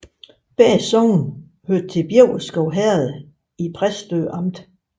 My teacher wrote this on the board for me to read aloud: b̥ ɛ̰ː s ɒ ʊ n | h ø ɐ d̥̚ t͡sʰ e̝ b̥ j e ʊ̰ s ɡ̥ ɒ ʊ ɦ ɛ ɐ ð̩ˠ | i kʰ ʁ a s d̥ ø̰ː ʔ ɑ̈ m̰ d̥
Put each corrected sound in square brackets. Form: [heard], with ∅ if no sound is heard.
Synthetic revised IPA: b̥ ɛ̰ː s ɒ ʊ n | h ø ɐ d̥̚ t͡sʰ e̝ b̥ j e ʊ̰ s ɡ̥ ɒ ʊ ɦ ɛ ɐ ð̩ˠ | i [pʰ] ʁ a s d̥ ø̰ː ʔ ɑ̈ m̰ d̥